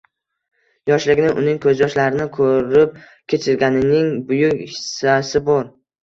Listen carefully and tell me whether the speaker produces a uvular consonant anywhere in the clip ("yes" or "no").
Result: no